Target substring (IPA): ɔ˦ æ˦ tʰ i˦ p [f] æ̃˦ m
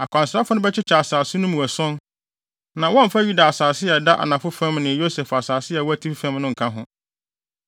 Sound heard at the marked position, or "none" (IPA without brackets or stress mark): f